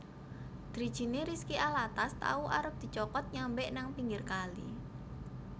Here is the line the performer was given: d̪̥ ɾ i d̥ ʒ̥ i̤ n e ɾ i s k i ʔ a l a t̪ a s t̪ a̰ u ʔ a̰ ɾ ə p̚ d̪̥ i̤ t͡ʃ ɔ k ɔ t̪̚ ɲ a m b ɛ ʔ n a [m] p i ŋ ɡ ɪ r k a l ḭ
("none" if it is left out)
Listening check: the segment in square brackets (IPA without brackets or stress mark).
ŋ